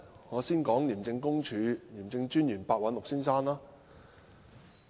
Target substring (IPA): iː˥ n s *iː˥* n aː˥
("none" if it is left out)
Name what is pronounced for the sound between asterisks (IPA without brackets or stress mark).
aː˥